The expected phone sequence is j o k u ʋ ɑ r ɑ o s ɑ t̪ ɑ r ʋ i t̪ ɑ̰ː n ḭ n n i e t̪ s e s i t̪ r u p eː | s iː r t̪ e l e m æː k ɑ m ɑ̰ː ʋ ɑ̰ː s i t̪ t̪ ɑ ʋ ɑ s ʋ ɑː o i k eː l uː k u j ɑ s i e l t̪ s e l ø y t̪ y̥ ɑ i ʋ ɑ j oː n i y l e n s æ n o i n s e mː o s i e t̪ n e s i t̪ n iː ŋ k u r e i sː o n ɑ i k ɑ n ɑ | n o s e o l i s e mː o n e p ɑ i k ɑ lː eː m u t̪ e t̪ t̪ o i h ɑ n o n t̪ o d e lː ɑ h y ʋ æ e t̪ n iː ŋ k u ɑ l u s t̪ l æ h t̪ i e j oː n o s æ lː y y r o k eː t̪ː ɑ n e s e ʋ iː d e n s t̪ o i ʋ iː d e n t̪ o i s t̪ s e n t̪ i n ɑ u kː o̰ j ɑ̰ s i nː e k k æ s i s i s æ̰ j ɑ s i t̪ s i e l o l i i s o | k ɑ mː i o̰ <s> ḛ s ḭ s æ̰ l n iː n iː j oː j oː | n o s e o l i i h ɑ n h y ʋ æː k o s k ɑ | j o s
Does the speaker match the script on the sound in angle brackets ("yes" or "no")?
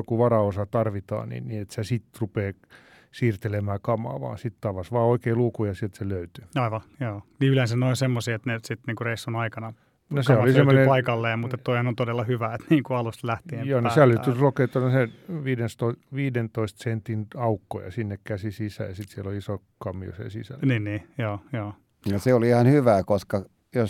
yes